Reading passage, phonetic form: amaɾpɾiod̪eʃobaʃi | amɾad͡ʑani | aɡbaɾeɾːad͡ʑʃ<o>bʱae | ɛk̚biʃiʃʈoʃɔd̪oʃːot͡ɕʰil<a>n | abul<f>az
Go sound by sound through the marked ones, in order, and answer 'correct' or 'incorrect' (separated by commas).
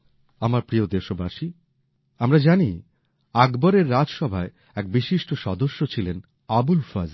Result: incorrect, incorrect, correct